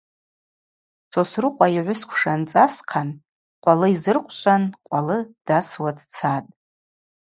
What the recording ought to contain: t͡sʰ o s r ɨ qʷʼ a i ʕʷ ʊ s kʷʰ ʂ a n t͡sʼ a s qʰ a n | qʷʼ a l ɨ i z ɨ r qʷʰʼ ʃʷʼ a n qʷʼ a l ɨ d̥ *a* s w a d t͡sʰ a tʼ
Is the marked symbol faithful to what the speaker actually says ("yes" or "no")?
yes